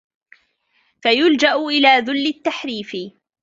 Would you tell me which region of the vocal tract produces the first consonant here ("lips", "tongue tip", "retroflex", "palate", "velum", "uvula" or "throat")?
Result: lips